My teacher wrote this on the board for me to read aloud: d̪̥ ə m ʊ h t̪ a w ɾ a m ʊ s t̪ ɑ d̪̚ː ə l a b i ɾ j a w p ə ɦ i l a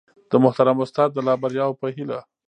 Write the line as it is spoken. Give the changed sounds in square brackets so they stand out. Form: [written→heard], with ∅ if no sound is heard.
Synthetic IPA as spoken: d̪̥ ə m ʊ h t̪ a [w→∅] ɾ a m ʊ s t̪ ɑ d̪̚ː ə l [a→ɑ] b [i→a] ɾ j [a→ɑ] w p ə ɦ i l a